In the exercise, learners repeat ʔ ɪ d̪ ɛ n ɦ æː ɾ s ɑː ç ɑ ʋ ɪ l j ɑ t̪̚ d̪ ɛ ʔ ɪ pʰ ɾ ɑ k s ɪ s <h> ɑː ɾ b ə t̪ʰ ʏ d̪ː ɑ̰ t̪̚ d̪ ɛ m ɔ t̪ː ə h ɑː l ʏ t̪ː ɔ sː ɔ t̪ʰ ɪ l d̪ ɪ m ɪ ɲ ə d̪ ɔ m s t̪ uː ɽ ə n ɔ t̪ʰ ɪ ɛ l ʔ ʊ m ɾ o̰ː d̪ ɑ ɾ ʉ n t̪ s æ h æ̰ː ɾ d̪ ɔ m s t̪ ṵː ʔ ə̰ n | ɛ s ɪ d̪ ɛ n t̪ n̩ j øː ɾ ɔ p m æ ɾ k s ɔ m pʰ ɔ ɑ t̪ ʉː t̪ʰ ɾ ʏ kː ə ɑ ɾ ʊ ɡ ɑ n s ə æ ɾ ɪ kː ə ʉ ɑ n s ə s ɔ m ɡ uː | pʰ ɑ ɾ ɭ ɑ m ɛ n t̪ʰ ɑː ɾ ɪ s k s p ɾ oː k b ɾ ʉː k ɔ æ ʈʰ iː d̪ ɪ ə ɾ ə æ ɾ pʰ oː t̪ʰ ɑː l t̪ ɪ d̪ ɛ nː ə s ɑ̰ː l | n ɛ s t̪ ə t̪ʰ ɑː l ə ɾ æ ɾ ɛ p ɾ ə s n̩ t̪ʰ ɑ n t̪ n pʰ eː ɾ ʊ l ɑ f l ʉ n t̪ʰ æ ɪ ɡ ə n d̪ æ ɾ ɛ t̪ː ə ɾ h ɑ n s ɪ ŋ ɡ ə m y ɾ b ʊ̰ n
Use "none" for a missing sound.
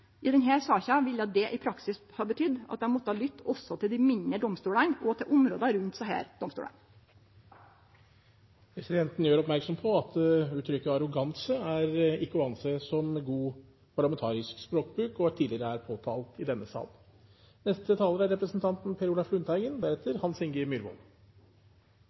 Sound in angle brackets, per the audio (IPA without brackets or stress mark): h